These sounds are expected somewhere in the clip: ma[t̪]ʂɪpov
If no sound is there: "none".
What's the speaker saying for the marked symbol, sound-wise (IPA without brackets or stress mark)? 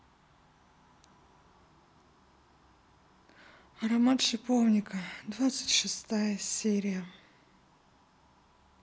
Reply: t̪